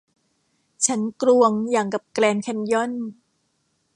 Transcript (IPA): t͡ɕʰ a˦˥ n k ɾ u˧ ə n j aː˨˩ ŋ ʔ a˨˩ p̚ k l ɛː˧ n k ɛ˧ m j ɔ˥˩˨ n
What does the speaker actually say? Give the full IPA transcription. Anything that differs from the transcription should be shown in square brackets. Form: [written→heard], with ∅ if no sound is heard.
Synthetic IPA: t͡ɕʰ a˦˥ n k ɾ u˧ ə [n→ŋ] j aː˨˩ ŋ [ʔ→k] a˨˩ p̚ k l ɛː˧ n [k→kʰ] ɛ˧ [m→n] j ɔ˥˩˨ n